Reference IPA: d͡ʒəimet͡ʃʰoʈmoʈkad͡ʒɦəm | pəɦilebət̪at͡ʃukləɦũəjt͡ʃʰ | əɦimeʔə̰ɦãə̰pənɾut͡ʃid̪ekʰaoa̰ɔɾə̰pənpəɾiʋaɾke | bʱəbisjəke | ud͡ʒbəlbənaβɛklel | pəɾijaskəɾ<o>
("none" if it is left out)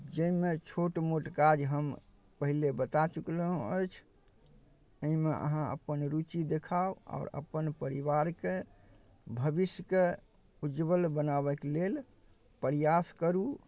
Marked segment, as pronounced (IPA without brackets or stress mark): u